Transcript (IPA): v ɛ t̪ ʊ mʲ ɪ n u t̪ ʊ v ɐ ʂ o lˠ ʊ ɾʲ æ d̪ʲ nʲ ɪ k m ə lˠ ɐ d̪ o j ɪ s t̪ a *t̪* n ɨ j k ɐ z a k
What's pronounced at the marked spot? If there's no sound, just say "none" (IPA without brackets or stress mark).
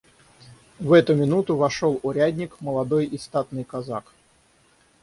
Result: t̪